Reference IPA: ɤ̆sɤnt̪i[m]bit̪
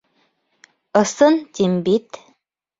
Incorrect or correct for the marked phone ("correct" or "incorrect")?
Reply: correct